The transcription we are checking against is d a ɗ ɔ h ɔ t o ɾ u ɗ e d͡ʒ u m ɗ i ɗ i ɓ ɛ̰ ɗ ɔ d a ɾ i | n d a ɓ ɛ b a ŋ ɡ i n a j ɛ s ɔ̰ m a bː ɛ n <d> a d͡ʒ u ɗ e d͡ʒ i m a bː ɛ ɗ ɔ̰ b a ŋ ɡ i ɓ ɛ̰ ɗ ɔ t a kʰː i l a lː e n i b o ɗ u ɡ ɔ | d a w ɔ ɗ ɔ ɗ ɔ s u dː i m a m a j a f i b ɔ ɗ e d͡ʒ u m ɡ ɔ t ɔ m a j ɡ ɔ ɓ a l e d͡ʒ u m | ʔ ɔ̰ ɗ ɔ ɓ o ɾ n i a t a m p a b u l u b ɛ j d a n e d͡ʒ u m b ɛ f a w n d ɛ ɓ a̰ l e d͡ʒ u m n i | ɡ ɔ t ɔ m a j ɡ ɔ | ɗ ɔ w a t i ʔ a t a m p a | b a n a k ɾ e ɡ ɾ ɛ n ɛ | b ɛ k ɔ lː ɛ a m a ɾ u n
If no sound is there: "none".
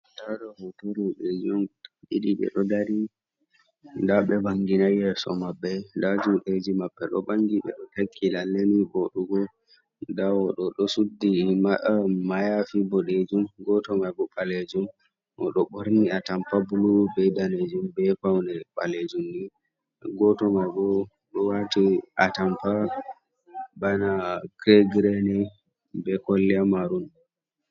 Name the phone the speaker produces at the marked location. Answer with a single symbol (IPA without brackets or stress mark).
d